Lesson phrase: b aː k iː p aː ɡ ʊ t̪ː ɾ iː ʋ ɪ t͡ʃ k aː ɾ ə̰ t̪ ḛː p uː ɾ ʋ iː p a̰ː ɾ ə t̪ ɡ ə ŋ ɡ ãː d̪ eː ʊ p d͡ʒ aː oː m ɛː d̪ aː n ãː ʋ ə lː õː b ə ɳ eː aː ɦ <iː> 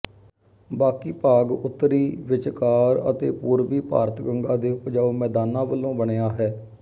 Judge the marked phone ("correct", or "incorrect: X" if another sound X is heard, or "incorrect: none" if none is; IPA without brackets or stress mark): incorrect: ɛː